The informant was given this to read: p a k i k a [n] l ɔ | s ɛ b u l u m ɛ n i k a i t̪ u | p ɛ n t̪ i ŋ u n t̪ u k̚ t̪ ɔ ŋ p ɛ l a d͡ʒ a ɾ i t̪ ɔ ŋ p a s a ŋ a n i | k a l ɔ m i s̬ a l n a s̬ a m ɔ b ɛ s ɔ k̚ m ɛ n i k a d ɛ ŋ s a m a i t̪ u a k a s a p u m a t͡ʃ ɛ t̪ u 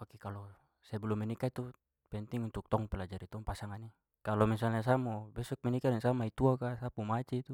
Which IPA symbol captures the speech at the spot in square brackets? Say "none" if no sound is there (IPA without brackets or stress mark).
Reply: none